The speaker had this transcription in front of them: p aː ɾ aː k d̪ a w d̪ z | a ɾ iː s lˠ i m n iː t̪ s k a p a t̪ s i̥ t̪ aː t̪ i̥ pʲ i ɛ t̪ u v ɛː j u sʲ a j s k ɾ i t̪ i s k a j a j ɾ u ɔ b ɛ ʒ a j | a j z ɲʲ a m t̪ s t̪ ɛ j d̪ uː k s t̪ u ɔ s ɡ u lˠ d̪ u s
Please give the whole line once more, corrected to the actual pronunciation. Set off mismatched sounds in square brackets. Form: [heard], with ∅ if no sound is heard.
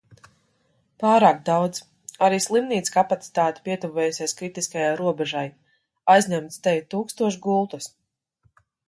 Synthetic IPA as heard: p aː ɾ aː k d̪ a w d̪ z | a ɾ iː s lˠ i m n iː t̪ s k a p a t̪ s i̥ t̪ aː t̪ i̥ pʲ i ɛ t̪ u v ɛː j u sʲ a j s k ɾ i t̪ i s k a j a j ɾ u ɔ b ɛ ʒ a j | a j z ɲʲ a m t̪ s t̪ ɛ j [t̪] uː k s t̪ u ɔ [ʃ] ɡ u lˠ [t̪] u s